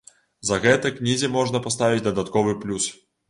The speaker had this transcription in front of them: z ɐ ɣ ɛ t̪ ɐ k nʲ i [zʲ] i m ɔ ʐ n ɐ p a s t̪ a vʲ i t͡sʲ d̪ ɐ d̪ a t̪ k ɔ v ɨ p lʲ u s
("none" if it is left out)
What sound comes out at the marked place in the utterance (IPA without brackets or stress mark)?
zʲ